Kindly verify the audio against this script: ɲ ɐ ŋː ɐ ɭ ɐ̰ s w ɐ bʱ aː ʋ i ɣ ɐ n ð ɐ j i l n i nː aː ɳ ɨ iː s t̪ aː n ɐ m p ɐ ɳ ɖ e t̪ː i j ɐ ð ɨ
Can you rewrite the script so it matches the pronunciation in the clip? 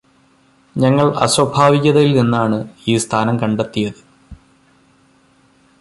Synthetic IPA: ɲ ɐ ŋː ɐ ɭ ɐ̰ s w ɐ bʱ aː ʋ i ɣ ɐ ð ɐ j i l n i nː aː ɳ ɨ iː s t̪ʰ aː n ɐ m k ɐ ɳ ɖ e t̪ː i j ɐ ð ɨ